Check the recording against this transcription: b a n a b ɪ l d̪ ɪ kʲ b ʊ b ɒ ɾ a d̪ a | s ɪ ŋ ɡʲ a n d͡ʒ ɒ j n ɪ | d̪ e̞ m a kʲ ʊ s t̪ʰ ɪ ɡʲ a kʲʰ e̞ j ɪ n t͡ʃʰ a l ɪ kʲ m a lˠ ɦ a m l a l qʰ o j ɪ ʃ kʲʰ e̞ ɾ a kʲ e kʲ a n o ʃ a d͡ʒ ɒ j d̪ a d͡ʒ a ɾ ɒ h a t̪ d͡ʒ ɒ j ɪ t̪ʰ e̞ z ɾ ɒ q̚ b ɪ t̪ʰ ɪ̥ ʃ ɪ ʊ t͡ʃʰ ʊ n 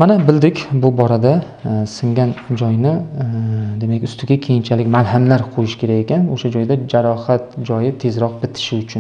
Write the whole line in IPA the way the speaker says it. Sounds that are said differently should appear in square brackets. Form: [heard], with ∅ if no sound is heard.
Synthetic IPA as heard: [m] a n a b ɪ l d̪ ɪ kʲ b ʊ b ɒ ɾ a d̪ a | s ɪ ŋ ɡʲ a n d͡ʒ ɒ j n ɪ | d̪ e̞ m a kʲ ʊ s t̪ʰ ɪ ɡʲ a kʲʰ e̞ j ɪ n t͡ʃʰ a l ɪ kʲ m a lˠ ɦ a m l a [ɾ] qʰ o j ɪ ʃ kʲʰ e̞ ɾ a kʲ e kʲ a n o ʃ a d͡ʒ ɒ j d̪ a d͡ʒ a ɾ ɒ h a t̪ d͡ʒ ɒ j ɪ t̪ʰ e̞ z ɾ ɒ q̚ b ɪ t̪ʰ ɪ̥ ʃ ɪ ʊ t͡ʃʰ ʊ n